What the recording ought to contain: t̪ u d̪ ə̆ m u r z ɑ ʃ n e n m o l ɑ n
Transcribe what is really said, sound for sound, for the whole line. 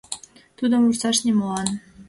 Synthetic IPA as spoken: t̪ u d̪ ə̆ m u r s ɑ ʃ n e m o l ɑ n